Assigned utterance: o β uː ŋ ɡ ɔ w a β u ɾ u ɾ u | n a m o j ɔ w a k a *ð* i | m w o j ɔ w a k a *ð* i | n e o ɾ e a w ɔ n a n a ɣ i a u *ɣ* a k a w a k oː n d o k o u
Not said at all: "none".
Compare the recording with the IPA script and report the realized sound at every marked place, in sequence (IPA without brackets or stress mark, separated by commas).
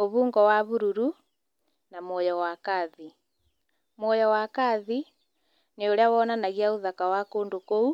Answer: ð, ð, ð